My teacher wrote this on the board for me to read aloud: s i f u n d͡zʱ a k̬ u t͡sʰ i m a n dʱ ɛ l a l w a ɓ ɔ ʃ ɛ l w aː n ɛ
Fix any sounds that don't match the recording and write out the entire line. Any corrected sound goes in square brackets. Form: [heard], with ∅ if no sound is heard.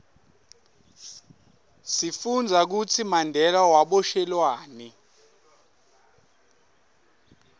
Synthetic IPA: s i f u n d͡zʱ a k̬ u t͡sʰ i m a n dʱ ɛ l a [∅] w a ɓ ɔ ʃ ɛ l w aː n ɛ